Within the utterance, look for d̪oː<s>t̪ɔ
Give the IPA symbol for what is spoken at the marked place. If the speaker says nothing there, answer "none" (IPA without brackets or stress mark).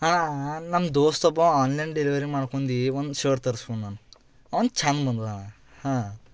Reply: s